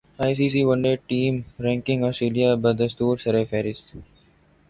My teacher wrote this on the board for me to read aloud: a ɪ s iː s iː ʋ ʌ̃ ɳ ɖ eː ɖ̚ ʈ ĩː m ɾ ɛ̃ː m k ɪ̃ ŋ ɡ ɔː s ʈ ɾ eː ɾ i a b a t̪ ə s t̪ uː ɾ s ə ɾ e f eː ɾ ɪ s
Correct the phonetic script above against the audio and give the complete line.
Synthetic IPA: a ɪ s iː s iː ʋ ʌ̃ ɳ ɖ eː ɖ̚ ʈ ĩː m ɾ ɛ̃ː ŋ k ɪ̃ ŋ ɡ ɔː s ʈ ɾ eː l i a b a d̪ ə s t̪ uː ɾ s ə ɾ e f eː ɾ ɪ s